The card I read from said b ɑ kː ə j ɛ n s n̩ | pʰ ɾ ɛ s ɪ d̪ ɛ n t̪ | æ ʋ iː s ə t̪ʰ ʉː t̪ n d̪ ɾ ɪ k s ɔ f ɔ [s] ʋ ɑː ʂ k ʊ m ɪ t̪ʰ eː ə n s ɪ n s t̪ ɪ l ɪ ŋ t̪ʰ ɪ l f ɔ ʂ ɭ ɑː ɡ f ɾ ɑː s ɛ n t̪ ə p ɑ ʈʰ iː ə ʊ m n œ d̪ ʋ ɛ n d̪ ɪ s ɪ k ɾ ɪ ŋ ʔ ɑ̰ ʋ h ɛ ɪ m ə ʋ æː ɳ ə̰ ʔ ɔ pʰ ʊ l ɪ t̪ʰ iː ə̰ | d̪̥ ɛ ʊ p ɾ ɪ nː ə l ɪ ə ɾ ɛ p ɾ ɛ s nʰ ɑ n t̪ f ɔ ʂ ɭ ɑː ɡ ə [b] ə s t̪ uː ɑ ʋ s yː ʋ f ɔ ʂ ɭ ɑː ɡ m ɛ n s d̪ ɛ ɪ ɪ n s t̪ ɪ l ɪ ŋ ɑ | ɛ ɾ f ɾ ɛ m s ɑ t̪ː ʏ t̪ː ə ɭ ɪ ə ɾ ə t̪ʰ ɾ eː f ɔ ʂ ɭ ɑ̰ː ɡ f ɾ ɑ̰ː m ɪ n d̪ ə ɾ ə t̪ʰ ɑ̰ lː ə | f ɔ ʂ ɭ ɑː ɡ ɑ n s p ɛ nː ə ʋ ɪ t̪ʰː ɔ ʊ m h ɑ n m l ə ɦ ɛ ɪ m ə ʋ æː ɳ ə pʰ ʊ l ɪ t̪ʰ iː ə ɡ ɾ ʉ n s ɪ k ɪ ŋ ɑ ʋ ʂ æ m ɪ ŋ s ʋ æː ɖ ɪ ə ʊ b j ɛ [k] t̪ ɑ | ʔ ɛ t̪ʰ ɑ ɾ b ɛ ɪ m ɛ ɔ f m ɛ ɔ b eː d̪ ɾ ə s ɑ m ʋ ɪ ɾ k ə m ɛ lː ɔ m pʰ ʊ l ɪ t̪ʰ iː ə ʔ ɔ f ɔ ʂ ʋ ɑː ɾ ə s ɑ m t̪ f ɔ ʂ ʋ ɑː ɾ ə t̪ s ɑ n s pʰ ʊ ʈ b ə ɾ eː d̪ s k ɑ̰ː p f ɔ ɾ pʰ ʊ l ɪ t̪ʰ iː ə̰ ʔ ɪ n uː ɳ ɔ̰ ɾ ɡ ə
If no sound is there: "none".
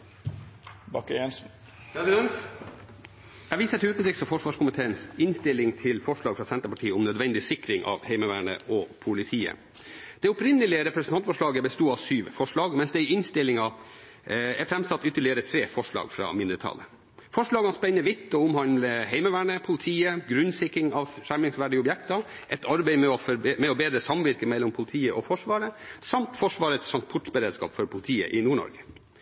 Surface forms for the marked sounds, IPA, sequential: ʂ, b, k

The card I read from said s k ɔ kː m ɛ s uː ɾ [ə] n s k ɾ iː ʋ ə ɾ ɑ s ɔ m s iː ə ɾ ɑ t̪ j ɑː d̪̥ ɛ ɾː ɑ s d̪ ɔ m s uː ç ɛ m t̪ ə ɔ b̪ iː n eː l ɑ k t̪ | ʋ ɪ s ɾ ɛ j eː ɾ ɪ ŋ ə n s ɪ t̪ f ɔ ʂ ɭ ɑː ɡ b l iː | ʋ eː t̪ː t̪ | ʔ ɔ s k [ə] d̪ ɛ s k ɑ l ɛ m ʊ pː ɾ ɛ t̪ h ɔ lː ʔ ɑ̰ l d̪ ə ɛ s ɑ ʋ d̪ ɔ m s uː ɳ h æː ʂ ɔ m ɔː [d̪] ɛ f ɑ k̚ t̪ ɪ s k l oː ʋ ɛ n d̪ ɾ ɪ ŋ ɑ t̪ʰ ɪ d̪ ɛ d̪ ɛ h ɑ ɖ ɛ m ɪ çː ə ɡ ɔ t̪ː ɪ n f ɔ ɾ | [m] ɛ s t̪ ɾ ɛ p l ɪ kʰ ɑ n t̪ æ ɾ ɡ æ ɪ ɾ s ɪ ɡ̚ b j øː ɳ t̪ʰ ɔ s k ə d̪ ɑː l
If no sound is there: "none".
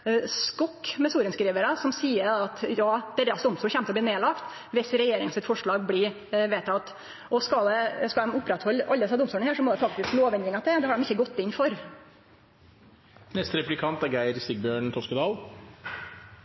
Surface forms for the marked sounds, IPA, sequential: ə, ɑ, d̪, n

